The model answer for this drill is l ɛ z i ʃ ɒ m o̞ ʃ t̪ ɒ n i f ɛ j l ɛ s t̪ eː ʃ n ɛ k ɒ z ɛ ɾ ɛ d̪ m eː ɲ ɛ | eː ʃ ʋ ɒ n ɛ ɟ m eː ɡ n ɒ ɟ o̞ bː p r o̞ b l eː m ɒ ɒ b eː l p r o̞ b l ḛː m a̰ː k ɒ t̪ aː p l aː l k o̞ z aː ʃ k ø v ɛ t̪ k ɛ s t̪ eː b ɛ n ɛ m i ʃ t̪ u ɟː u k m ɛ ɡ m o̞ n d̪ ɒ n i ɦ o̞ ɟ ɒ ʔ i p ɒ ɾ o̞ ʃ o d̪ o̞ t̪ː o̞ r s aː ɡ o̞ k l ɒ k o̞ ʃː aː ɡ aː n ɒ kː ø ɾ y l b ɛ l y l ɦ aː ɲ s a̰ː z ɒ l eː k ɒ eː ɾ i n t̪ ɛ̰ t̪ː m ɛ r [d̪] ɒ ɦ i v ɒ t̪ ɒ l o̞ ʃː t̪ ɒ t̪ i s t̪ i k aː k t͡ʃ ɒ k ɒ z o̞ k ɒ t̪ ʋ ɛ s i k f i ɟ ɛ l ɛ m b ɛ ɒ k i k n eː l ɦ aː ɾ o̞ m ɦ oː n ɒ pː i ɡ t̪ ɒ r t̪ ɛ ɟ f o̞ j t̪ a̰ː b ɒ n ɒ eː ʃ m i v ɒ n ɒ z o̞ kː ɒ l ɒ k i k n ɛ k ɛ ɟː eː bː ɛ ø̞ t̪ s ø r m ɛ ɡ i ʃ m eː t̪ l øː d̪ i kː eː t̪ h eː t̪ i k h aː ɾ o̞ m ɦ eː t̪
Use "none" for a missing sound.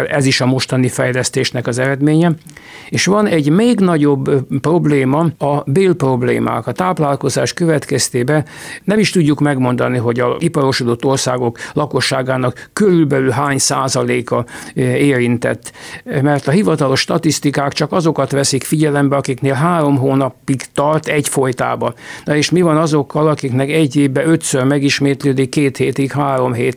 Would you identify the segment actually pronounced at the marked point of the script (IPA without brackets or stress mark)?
t̪